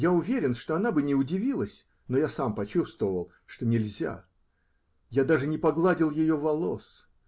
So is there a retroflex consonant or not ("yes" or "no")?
yes